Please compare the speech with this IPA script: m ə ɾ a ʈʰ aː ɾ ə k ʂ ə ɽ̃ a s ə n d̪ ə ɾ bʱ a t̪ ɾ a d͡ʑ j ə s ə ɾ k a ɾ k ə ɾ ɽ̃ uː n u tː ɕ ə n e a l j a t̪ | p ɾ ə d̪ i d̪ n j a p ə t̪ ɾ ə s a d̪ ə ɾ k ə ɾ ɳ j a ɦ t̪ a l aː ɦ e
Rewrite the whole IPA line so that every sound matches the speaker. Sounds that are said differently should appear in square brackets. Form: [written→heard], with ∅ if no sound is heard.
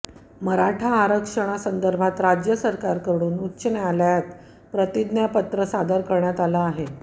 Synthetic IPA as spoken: m ə ɾ a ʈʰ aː ɾ ə k ʂ ə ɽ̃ a s ə n d̪ ə ɾ bʱ a t̪ ɾ a d͡ʑ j ə s ə ɾ k a ɾ k ə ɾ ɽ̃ uː n u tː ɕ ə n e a l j a t̪ | p ɾ ə [d̪→t̪] i d̪ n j a p ə t̪ ɾ ə s a d̪ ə ɾ k ə ɾ ɳ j a [ɦ→∅] t̪ a l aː ɦ e